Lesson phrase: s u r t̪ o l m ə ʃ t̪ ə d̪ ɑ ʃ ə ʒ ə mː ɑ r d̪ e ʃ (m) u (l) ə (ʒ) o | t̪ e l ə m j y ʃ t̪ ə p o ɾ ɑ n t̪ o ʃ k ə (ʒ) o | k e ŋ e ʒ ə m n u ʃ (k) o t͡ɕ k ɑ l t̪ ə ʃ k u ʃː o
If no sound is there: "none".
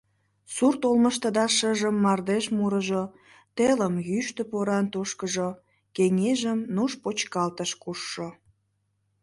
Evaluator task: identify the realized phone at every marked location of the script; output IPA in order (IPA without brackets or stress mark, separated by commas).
m, ɾ, ʒ, ʒ, p